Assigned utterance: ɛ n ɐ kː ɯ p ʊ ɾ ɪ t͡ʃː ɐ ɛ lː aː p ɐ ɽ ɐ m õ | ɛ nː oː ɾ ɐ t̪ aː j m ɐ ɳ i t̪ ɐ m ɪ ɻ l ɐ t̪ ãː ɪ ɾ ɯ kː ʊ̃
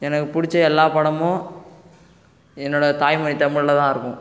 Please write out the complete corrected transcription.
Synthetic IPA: ɛ n ɐ kː ɯ p ʊ ɽ ɪ t͡ʃː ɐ ɛ lː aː p ɐ ɽ ɐ m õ | ɛ nː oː ɽ ɐ t̪ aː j m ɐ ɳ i t̪ ɐ m ɪ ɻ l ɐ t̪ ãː ɪ ɾ ɯ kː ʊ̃